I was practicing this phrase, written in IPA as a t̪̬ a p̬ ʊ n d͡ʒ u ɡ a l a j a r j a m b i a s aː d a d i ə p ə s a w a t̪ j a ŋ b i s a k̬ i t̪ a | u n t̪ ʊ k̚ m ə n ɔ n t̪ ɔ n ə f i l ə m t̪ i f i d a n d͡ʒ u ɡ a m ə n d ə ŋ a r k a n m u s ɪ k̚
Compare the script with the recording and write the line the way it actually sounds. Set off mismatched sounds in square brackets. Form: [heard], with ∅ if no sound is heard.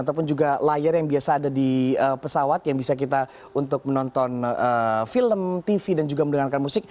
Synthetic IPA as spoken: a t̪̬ a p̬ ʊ n d͡ʒ u ɡ a l a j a r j a [ŋ] b i a s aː d a d i ə p ə s a w a t̪ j a ŋ b i s a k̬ i t̪ a | u n t̪ ʊ k̚ m ə n ɔ n t̪ ɔ n ə f i l ə m t̪ i f i d a n d͡ʒ u ɡ a m ə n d ə ŋ a r k a n m u s ɪ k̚